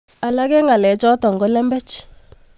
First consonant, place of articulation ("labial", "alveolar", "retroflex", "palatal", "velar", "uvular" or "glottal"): alveolar